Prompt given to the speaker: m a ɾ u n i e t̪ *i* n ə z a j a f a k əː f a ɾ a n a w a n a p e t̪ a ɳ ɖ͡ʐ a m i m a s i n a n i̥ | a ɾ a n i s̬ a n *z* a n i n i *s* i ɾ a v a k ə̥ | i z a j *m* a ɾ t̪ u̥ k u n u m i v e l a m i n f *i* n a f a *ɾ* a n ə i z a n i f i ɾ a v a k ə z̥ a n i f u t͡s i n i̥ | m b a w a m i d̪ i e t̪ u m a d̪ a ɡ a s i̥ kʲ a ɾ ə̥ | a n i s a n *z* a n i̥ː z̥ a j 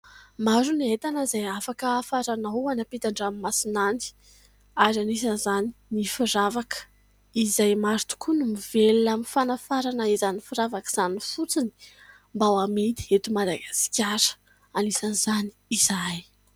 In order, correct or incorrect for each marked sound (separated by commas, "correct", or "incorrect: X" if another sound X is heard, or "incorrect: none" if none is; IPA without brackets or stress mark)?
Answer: incorrect: a, correct, incorrect: f, correct, incorrect: a, correct, correct